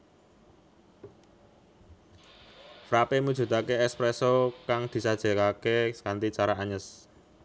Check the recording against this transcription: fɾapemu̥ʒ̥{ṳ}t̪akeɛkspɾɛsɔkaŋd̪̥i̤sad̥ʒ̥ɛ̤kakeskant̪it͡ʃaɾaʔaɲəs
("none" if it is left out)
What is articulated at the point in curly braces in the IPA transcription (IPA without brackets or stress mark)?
ṳ